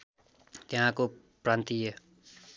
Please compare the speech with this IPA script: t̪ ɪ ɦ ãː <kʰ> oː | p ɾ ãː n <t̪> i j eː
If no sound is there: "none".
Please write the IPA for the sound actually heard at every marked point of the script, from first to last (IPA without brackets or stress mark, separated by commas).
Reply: k, t̪